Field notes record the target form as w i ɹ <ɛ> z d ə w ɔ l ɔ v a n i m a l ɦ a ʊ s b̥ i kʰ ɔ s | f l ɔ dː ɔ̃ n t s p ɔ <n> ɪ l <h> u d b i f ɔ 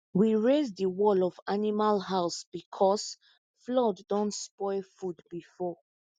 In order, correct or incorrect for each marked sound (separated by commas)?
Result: incorrect, incorrect, incorrect